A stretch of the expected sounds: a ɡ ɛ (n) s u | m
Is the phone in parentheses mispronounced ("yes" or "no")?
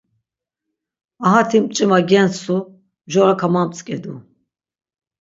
no